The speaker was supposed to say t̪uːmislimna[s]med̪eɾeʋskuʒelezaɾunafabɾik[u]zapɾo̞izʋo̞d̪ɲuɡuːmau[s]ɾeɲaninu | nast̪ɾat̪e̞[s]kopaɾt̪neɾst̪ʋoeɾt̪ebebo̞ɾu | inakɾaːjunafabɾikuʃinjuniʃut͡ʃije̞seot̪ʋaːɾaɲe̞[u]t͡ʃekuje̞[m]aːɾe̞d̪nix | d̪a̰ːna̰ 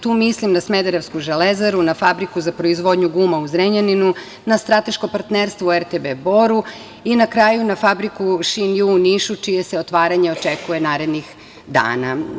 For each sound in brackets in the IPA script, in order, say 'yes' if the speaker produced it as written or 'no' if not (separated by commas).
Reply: yes, yes, no, no, no, no